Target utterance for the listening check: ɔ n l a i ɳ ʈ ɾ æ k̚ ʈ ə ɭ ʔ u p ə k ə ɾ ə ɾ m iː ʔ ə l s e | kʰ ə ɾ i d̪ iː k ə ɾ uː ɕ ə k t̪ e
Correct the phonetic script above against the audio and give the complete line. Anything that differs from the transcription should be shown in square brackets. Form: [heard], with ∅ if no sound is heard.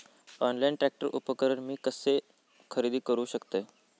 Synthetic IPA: ɔ n l a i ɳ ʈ ɾ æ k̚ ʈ ə [ɾ] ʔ u p ə k ə ɾ ə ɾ m iː [k] ə [∅] s e | kʰ ə ɾ i d̪ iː k ə ɾ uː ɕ ə k t̪ e